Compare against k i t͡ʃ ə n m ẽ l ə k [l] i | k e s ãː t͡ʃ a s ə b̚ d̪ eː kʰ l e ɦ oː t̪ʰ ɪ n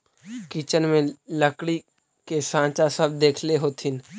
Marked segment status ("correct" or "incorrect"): incorrect